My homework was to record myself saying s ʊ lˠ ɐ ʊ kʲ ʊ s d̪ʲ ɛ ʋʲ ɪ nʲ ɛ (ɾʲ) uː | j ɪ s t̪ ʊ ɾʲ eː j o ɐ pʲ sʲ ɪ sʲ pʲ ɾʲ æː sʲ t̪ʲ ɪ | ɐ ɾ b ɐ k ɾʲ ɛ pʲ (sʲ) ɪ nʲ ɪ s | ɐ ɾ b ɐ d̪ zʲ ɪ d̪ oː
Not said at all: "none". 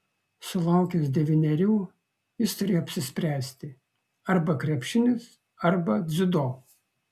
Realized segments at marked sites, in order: ɾʲ, ʃʲ

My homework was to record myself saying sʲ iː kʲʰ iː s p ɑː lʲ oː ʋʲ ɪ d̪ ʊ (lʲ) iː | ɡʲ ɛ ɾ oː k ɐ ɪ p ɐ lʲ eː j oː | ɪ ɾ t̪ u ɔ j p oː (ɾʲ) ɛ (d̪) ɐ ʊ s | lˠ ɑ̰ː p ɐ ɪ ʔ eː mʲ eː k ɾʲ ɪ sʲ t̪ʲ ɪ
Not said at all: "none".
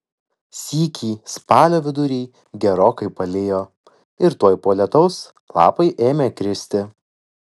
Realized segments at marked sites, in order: ɾʲ, lʲ, t̪

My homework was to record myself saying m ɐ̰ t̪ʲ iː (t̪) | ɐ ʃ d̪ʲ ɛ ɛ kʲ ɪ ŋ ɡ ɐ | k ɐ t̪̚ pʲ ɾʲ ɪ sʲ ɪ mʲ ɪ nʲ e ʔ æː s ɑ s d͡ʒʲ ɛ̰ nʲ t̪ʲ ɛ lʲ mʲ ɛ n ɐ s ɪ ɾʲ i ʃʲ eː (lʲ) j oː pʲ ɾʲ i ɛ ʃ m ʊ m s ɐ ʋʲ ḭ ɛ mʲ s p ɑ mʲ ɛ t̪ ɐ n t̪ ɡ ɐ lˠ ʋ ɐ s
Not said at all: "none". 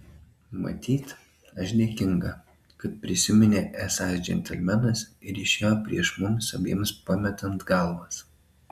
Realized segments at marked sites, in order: t̪, none

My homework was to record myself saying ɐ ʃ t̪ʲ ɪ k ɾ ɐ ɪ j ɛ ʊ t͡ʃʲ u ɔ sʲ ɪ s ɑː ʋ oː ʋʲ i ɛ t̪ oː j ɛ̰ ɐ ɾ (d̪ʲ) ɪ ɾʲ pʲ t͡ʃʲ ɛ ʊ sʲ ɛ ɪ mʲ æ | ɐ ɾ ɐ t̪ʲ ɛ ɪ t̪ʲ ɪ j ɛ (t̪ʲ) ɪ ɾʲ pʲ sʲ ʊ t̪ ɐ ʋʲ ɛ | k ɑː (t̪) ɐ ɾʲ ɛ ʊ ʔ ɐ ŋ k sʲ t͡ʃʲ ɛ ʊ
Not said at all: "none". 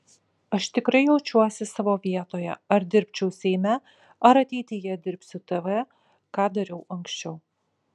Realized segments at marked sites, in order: d̪ʲ, d̪ʲ, d̪

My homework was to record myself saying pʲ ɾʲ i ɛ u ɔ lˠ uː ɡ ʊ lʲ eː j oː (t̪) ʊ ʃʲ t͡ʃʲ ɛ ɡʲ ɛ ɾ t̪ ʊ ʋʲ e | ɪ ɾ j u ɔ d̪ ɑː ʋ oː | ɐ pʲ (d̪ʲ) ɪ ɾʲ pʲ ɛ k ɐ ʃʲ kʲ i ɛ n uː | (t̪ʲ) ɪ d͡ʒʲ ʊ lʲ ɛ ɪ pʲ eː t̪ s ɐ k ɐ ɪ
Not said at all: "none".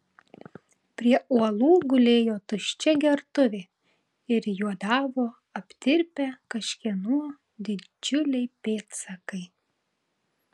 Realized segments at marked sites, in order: t̪, t̪ʲ, d̪ʲ

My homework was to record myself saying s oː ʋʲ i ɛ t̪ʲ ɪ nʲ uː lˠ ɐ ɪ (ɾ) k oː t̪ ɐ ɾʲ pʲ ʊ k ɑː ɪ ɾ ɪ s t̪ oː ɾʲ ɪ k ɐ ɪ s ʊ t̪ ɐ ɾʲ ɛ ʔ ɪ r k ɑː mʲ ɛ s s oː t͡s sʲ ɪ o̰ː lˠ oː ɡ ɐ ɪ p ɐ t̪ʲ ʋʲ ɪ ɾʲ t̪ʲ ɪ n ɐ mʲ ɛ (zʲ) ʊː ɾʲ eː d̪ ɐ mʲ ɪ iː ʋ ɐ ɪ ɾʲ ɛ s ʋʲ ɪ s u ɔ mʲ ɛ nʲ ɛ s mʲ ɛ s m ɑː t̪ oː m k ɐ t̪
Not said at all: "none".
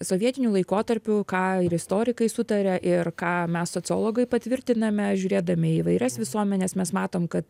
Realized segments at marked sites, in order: none, ʒʲ

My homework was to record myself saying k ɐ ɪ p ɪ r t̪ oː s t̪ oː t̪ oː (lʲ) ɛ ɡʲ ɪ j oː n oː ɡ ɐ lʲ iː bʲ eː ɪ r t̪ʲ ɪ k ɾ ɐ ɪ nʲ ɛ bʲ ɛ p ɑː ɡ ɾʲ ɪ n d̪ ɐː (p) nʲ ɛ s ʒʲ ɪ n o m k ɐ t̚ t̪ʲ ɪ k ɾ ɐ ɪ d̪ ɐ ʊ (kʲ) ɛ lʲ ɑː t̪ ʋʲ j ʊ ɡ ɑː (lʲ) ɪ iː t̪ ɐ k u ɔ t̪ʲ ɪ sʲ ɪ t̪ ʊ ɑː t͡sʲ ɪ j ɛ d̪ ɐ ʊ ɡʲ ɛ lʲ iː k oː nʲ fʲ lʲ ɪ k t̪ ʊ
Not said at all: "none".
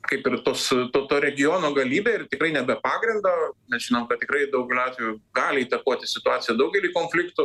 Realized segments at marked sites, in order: ɾʲ, none, ɡʲ, lʲ

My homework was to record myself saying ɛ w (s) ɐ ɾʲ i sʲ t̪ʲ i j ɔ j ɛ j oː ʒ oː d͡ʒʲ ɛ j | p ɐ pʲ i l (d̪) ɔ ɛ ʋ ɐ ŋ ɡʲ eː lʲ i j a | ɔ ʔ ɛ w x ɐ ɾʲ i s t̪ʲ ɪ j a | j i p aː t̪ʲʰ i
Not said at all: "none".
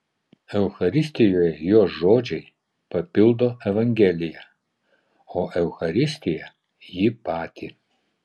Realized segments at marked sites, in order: x, d̪

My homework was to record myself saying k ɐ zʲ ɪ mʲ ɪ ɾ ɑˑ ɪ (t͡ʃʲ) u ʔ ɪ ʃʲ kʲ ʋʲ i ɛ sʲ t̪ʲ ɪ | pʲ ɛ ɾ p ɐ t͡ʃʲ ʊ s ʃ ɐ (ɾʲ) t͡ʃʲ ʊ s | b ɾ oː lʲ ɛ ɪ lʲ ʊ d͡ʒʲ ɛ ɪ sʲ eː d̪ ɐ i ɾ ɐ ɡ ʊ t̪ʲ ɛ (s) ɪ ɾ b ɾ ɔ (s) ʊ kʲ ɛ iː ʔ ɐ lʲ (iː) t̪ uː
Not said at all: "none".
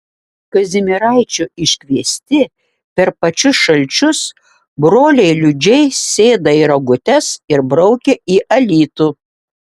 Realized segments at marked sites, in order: t͡ʃʲ, lʲ, s, none, iː

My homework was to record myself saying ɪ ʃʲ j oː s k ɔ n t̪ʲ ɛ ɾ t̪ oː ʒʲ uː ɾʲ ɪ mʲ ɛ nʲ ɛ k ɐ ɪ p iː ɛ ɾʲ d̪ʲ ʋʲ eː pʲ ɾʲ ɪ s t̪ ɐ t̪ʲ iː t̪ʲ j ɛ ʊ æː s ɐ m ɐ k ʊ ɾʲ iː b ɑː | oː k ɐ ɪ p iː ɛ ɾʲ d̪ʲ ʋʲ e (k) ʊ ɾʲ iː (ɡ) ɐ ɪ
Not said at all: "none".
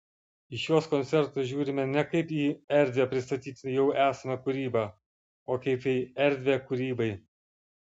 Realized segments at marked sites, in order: k, b

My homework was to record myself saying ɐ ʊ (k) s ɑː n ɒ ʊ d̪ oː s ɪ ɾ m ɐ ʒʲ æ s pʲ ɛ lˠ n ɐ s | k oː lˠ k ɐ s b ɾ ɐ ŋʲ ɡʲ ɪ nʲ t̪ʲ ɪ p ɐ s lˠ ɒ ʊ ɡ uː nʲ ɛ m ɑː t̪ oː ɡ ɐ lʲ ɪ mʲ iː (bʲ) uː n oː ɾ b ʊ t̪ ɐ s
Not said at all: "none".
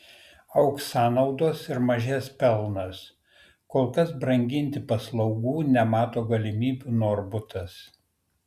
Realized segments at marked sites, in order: k, bʲ

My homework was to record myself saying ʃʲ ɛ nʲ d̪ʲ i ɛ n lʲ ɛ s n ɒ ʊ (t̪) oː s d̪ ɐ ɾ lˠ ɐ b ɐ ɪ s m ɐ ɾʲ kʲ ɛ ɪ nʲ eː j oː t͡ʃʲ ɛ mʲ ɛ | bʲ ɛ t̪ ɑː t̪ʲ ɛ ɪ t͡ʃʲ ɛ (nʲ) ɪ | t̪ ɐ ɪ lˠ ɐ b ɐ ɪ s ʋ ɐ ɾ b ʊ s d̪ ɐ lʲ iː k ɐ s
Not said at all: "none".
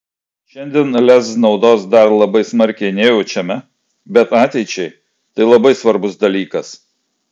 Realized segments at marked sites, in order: d̪, none

